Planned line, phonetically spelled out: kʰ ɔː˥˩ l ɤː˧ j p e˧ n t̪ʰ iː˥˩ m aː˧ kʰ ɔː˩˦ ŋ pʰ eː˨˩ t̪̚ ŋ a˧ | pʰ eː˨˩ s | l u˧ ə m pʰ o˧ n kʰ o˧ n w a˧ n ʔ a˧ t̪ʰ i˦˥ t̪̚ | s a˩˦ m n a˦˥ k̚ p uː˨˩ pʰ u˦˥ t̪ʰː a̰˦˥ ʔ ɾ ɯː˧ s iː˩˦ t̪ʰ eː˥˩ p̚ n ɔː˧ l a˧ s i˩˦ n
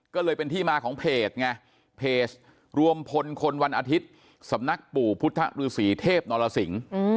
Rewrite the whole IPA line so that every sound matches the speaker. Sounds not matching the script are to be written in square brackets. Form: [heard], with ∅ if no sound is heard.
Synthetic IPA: [k] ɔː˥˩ l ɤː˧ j p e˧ n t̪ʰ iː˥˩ m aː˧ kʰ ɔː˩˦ ŋ pʰ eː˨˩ t̪̚ ŋ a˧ | pʰ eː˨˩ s | [ɾ] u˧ ə m pʰ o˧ n kʰ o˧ n w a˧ n ʔ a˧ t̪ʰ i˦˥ t̪̚ | s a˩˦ m n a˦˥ k̚ p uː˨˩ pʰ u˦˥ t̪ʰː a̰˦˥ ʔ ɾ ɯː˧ s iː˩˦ t̪ʰ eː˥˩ p̚ n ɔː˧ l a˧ s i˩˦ [ŋ]